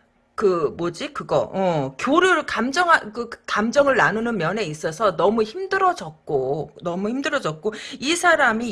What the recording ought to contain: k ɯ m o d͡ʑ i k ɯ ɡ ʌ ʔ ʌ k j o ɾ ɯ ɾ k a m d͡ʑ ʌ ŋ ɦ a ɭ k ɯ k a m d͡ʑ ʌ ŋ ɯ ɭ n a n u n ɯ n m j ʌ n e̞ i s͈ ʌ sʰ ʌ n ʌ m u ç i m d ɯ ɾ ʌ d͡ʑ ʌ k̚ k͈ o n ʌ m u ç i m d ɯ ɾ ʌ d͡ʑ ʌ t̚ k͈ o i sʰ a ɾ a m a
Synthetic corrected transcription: k ɯ m o d͡ʑ i k ɯ ɡ ʌ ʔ ʌ k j o ɾ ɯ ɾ k a m d͡ʑ ʌ ŋ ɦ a k ɯ k a m d͡ʑ ʌ ŋ ɯ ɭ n a n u n ɯ n m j ʌ n e̞ i s͈ ʌ sʰ ʌ n ʌ m u ç i m d ɯ ɾ ʌ d͡ʑ ʌ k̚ k͈ o n ʌ m u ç i m d ɯ ɾ ʌ d͡ʑ ʌ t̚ k͈ o i sʰ a ɾ a m i